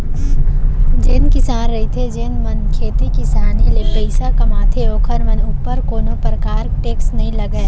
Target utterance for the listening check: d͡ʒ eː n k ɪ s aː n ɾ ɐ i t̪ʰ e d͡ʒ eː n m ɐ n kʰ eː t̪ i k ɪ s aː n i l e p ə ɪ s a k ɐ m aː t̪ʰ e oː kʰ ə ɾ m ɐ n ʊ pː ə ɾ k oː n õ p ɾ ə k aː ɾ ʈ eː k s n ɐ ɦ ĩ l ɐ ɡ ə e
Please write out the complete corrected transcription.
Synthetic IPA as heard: d͡ʒ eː n k ɪ s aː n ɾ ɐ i t̪ʰ e d͡ʒ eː n m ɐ n kʰ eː t̪ i k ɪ s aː n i l e p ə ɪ s a k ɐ m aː t̪ʰ e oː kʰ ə ɾ m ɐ n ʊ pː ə ɾ k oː n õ p ɾ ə k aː ɾ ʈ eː k s n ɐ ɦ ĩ l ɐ ɡ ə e